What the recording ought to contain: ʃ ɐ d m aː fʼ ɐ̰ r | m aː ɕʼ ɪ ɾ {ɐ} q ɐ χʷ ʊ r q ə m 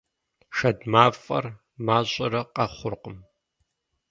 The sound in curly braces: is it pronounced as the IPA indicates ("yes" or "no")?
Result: yes